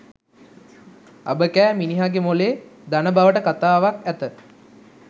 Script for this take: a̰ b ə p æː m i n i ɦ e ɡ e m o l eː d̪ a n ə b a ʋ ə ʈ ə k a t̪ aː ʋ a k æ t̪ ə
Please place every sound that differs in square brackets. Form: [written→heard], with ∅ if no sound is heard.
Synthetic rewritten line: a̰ b ə [p→k] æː m i n i ɦ [e→a] ɡ e m o l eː d̪ a n ə b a ʋ ə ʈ ə k a t̪ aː ʋ a k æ t̪ ə